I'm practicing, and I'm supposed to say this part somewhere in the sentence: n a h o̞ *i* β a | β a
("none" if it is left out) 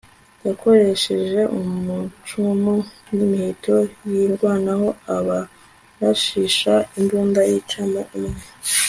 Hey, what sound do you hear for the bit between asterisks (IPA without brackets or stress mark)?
a